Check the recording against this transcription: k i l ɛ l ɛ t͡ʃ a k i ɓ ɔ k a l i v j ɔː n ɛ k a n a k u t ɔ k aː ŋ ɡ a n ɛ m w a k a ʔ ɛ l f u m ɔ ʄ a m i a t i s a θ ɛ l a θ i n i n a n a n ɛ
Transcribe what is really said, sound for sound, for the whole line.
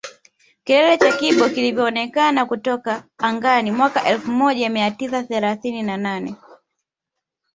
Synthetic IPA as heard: k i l ɛ l ɛ t͡ʃ a k i ɓ ɔ k i l i v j ɔː n ɛ k a n a k u t ɔ k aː ŋ ɡ a n i m w a k a ʔ ɛ l f u m ɔ ʄ a m i a t i s a θ ɛ l a θ i n i n a n a n ɛ